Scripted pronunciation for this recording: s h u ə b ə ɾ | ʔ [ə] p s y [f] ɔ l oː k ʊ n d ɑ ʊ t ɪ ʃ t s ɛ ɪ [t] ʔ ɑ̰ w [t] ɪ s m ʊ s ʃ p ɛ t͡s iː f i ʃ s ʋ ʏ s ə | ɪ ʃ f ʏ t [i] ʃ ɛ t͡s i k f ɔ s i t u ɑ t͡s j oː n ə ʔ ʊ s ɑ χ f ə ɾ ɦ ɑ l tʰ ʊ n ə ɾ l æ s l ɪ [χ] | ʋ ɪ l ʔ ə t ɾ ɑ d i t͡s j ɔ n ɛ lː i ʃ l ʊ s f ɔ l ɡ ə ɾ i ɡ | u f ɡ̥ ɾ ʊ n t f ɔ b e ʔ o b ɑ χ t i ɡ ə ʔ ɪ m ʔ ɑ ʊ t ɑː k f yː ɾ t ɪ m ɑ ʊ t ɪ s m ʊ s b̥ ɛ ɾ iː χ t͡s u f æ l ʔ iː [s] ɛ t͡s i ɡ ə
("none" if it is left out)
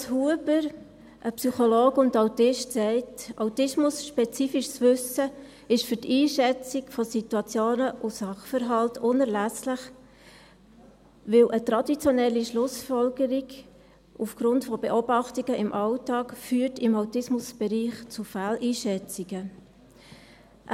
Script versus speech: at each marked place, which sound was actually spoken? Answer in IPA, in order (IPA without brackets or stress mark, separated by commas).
ə, χ, t, t, iː, χ, ʃ